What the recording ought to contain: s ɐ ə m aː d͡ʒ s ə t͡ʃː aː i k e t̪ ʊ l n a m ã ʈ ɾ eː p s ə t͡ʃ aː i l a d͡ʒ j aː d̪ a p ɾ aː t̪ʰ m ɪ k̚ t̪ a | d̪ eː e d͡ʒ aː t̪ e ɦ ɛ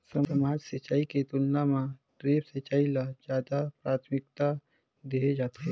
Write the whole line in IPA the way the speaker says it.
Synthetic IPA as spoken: s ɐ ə m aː d͡ʒ s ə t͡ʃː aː i k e t̪ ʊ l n a m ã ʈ ɾ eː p s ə t͡ʃ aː i l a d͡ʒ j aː d̪ a p ɾ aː t̪ʰ m ɪ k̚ t̪ a | d̪ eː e d͡ʒ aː t̪ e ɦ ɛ